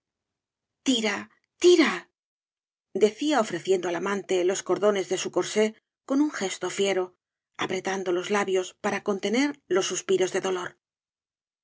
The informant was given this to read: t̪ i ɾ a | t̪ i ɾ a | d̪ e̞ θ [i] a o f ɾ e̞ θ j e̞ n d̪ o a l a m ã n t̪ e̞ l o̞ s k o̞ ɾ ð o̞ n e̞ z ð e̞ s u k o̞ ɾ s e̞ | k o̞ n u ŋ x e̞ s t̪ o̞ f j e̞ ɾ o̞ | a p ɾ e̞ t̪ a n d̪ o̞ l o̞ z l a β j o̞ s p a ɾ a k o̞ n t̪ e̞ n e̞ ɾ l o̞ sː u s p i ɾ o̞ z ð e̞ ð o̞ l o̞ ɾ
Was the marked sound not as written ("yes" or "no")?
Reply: no